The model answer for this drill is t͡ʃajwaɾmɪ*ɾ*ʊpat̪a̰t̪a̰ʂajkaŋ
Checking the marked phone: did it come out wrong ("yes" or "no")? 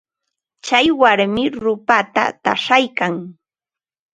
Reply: no